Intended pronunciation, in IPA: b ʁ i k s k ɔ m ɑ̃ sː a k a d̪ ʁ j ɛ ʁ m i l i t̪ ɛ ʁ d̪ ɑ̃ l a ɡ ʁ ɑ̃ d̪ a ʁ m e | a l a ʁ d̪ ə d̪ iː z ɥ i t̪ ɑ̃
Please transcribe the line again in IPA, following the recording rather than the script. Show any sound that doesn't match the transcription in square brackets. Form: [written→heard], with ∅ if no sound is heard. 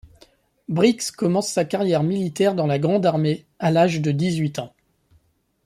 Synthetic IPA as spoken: b ʁ i k s k ɔ m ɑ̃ sː a k a [d̪→∅] ʁ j ɛ ʁ m i l i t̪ ɛ ʁ d̪ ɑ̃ l a ɡ ʁ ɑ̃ d̪ a ʁ m e | a l a [ʁ→ʒ] d̪ ə d̪ [iː→i] z ɥ i t̪ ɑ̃